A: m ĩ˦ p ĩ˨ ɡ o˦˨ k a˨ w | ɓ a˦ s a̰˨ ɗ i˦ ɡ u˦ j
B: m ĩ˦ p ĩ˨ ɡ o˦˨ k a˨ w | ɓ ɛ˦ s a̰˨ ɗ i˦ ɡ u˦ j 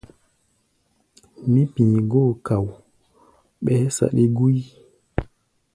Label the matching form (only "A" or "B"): B